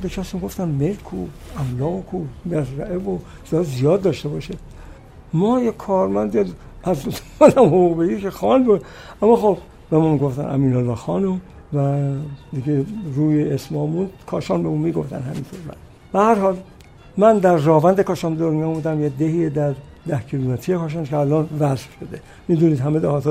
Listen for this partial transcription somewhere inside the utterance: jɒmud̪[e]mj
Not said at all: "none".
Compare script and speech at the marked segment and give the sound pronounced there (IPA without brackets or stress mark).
æ